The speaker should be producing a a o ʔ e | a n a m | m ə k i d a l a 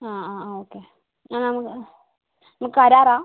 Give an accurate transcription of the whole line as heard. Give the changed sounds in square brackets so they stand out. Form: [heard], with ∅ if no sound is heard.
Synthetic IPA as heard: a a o [k] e | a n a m | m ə k [a] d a [ɾ] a